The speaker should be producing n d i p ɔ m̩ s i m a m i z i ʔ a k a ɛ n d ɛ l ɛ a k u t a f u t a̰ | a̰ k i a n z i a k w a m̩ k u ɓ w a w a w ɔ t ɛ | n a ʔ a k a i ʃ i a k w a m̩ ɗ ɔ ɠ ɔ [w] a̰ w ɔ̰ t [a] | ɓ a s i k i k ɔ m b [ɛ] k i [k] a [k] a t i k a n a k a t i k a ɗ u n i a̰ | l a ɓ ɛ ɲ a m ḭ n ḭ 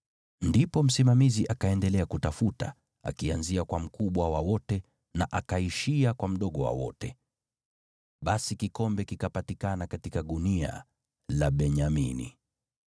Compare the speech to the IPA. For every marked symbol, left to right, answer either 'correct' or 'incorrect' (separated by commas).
correct, incorrect, correct, correct, incorrect